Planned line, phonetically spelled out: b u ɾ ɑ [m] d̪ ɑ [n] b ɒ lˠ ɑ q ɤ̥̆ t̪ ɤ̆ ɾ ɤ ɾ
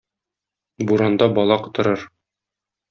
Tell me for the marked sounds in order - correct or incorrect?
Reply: incorrect, incorrect

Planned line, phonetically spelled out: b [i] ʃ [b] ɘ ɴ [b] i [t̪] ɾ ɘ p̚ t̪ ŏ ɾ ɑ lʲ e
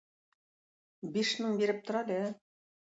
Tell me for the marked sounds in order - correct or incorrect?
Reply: correct, incorrect, correct, incorrect

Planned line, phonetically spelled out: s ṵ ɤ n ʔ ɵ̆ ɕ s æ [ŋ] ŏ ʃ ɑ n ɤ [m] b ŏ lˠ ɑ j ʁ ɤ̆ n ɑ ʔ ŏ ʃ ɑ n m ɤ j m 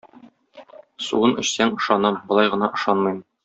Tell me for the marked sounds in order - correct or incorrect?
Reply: correct, correct

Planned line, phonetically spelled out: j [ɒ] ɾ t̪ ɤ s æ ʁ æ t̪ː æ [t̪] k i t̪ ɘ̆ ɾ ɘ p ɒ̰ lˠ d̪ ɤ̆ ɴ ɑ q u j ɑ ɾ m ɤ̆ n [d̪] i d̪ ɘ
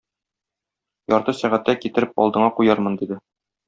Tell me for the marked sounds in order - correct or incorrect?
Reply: correct, incorrect, correct

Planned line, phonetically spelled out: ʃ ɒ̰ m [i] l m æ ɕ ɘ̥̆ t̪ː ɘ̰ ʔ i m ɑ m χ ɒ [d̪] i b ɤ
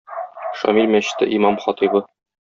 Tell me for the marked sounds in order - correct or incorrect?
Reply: correct, incorrect

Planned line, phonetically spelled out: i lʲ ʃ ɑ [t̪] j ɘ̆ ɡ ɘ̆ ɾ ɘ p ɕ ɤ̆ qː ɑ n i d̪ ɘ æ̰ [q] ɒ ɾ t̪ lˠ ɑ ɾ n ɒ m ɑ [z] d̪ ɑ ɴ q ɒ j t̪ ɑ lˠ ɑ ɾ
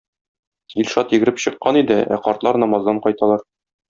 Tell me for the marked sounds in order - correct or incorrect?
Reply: correct, correct, correct

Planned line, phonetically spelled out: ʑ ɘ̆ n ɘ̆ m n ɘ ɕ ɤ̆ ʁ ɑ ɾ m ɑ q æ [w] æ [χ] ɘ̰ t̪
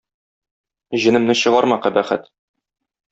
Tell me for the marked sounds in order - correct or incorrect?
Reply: incorrect, correct

